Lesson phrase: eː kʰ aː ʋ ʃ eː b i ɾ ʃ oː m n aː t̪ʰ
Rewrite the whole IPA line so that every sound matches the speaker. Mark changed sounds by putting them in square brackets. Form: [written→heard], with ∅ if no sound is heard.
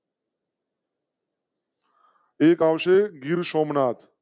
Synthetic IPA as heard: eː [kʰ→k] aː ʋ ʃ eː [b→ɡ] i ɾ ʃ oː m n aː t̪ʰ